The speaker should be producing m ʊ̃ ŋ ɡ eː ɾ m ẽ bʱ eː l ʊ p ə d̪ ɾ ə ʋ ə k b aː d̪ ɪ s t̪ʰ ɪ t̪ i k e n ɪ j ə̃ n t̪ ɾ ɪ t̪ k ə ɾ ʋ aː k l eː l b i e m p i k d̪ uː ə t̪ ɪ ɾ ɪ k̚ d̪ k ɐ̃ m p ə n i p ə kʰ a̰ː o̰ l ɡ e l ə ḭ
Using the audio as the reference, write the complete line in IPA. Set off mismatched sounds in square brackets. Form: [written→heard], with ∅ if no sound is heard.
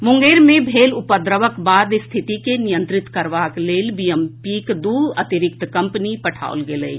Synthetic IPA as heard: m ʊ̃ ŋ ɡ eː ɾ m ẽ bʱ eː l ʊ p ə d̪ ɾ ə ʋ ə k b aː d̪ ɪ s t̪ʰ ɪ t̪ i k e n ɪ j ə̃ n t̪ ɾ ɪ t̪ k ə ɾ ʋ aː k l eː l b i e m p i k d̪ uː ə t̪ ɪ ɾ ɪ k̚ [d̪→t̪] k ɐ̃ m p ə n i p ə [kʰ→ʈʰ] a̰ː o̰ l ɡ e l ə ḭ